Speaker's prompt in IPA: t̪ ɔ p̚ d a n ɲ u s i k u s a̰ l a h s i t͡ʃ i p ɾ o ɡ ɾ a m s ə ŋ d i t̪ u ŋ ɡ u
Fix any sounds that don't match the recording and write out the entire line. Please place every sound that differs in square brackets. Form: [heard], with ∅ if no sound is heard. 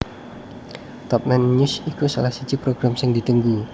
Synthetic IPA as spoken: t̪ ɔ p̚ [n] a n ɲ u s i k u s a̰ l a h s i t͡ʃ i p ɾ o ɡ ɾ a m s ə ŋ d i t̪ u ŋ ɡ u